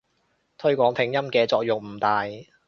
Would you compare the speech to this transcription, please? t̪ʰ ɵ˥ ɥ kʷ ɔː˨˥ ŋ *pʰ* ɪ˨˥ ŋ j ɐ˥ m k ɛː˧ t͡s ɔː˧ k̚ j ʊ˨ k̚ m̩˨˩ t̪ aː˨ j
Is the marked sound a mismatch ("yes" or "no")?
no